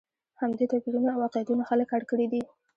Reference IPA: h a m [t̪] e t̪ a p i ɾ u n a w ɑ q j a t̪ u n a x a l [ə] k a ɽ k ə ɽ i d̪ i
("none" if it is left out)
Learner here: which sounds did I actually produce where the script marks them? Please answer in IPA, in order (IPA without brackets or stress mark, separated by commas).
d̪, ə